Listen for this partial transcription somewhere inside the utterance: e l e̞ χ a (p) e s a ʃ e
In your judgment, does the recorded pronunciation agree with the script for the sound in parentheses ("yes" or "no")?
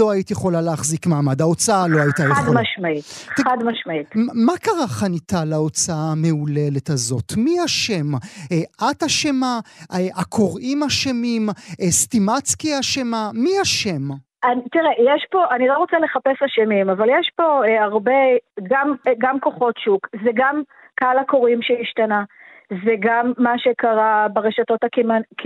yes